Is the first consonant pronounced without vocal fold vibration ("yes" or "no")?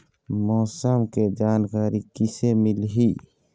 no